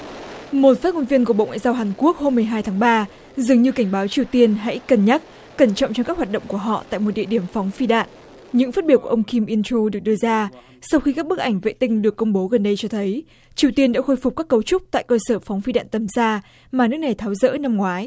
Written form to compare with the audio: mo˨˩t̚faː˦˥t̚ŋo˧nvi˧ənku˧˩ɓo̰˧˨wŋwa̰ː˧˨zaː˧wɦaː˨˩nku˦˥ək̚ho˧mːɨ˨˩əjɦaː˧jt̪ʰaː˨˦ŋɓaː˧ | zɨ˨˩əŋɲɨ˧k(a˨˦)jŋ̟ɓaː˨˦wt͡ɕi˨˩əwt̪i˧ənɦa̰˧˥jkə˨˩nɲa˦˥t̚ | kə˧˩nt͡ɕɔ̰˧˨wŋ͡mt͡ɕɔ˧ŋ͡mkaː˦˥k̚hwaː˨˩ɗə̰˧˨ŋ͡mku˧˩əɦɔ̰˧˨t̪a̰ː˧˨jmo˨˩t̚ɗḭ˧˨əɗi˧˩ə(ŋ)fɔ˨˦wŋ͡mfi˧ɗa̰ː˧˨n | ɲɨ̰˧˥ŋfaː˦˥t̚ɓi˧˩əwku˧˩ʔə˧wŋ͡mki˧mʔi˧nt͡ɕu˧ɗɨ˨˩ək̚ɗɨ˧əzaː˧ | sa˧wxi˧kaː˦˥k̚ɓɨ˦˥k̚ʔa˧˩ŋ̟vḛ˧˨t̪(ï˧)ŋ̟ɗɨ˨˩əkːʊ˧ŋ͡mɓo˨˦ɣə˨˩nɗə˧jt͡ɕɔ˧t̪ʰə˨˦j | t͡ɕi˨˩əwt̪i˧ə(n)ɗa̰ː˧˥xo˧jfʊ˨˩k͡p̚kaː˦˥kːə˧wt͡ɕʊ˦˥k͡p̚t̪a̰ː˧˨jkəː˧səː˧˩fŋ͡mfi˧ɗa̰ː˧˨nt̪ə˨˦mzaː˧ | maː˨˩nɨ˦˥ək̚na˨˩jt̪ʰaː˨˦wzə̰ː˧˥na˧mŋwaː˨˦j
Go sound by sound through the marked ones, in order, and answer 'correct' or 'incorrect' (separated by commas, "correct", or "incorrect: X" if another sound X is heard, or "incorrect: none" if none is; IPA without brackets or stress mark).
incorrect: a˧˩, incorrect: m, correct, correct